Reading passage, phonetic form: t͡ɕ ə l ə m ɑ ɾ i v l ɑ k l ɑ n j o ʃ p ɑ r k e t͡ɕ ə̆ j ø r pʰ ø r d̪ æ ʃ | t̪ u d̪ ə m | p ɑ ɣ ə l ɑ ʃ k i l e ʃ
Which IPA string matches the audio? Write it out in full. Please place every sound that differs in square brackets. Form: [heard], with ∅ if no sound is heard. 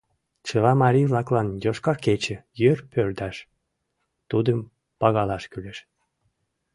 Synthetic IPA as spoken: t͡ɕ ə l [ɑ] m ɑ ɾ i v l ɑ k l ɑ n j o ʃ [k] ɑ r k e t͡ɕ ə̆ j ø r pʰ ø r d̪ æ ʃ | t̪ u d̪ ə m | p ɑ ɣ [ɑ] l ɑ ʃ k [y] l e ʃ